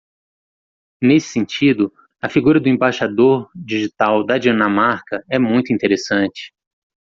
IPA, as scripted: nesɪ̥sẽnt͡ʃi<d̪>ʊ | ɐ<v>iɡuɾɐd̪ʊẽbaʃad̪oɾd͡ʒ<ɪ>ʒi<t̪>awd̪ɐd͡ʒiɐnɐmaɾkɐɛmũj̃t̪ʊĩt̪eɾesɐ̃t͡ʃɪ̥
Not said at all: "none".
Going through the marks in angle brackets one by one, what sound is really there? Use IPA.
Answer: d̪, f, i, t̪

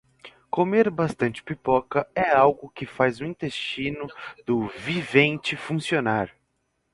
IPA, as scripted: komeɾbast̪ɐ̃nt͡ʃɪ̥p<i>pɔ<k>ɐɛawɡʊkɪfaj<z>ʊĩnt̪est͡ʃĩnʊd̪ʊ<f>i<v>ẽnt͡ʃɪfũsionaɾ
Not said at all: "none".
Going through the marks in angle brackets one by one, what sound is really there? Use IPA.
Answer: i, k, z, v, v

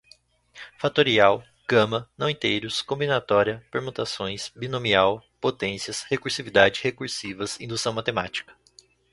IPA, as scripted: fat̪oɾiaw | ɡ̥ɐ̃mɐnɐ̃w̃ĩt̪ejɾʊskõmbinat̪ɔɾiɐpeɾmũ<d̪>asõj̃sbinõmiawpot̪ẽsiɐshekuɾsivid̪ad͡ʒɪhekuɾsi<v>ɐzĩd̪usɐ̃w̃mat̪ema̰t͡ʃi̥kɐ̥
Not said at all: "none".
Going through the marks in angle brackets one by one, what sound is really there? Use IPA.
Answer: t̪, v

